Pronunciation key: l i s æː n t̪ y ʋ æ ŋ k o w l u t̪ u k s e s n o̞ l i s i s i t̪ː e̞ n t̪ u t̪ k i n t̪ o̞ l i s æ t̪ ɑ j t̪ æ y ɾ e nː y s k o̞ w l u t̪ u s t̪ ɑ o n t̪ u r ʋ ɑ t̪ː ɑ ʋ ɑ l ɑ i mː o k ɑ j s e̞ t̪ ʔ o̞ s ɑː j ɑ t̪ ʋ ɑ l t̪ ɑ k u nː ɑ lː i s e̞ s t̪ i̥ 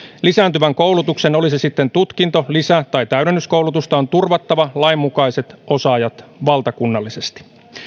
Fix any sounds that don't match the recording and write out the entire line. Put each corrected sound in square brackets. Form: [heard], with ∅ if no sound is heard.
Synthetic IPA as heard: l i s æː n t̪ y ʋ æ ŋ k o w l u t̪ u k s e [∅] n o̞ l i s i s i t̪ː e̞ n t̪ u t̪ k i n t̪ o̞ l i s æ t̪ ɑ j t̪ æ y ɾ e nː y s k o̞ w l u t̪ u s t̪ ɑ o n t̪ u r ʋ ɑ t̪ː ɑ ʋ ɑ l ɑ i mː [u] k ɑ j s e̞ t̪ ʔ o̞ s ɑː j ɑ t̪ ʋ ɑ l t̪ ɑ k u nː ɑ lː i s e̞ s t̪ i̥